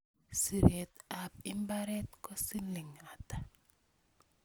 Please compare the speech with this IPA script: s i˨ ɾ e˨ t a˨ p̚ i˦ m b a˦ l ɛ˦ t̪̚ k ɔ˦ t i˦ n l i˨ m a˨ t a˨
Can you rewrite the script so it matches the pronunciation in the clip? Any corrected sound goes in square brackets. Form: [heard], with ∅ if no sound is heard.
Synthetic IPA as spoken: s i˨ ɾ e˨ t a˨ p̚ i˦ m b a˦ [ɾ] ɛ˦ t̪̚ k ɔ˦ [s] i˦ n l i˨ [ŋ] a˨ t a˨